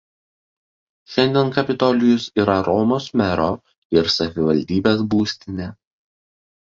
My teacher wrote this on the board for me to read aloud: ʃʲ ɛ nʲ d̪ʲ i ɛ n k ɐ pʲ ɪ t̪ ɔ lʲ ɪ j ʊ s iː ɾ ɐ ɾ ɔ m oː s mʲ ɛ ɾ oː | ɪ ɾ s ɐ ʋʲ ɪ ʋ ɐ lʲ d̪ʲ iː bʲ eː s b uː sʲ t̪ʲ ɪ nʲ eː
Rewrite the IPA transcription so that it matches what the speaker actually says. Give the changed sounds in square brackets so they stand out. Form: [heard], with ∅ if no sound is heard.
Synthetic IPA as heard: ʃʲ ɛ nʲ d̪ʲ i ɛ n k ɐ pʲ ɪ t̪ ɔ lʲ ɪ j ʊ s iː ɾ ɐ ɾ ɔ m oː s mʲ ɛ ɾ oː | ɪ ɾ s ɐ ʋʲ ɪ ʋ ɐ lʲ d̪ʲ iː bʲ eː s b uː sʲ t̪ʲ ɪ nʲ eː